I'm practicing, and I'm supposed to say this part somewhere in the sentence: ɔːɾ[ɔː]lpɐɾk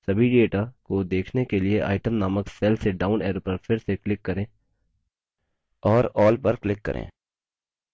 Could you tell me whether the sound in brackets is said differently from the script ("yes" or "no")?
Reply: no